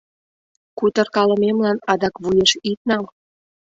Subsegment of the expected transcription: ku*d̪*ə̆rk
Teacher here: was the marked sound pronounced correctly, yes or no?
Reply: no